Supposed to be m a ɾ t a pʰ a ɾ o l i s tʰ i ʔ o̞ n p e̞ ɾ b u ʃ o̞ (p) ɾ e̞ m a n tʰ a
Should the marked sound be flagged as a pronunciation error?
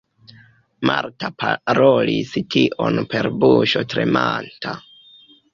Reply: yes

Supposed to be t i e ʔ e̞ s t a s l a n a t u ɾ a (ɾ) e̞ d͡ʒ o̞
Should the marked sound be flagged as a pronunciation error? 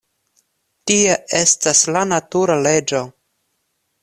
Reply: yes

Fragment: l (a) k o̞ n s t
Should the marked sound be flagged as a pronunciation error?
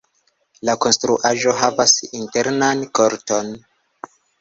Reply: no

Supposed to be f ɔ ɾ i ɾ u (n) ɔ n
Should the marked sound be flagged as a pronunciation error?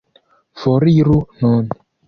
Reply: no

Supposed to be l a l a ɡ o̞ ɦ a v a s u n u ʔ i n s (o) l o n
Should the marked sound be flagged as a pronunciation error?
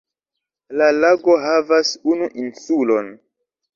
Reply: yes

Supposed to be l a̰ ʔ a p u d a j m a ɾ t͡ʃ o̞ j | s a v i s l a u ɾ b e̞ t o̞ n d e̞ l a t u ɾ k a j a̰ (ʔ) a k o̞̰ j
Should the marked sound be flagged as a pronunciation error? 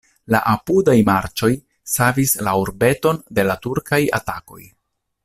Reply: yes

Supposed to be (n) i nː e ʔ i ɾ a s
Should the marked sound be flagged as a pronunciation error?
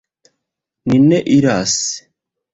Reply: no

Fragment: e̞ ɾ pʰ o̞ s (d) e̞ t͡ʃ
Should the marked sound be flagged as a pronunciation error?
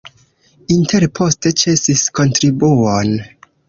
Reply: yes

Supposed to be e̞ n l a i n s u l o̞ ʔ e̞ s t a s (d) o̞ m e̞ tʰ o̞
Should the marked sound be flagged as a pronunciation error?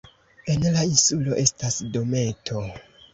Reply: no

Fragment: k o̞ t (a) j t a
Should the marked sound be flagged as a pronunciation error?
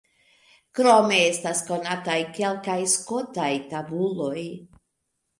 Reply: no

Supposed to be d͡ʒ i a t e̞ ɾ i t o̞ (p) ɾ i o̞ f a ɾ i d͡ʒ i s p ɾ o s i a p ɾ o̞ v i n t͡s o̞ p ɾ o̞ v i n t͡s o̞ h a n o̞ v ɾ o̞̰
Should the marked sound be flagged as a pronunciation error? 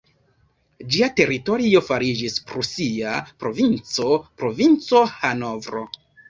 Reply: yes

